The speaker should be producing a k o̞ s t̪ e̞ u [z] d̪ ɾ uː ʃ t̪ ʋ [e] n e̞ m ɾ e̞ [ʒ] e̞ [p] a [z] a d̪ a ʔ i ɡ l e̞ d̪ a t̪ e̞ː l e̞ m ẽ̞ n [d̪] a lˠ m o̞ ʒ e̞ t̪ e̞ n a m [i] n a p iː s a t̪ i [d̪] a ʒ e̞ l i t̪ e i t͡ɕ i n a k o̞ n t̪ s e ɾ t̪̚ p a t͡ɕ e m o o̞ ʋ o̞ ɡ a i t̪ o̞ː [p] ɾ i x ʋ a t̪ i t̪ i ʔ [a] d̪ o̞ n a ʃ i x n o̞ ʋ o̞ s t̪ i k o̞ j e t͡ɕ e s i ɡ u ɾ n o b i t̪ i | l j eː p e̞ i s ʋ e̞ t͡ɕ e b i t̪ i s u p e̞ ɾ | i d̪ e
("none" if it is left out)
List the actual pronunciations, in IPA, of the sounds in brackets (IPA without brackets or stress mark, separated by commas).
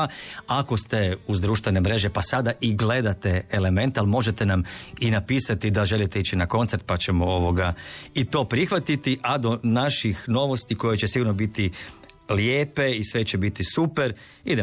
z, e, ʒ, p, s, t̪, i, d̪, p, a